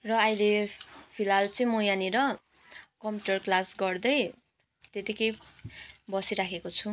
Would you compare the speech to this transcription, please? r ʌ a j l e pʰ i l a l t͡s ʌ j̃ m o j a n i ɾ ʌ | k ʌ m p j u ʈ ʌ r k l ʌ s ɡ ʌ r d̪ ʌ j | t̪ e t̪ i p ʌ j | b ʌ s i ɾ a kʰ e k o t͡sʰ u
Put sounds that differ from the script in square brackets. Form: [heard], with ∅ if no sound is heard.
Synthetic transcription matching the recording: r ʌ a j l e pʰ i l a l t͡s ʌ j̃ m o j a n i ɾ ʌ | k ʌ m p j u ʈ ʌ r k l [a] s ɡ ʌ r d̪ ʌ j | t̪ e t̪ i [k] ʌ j | b ʌ s i ɾ a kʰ e k o t͡sʰ u